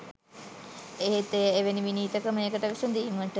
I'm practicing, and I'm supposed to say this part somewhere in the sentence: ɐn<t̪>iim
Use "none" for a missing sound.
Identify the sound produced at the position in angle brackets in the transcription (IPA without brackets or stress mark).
d̪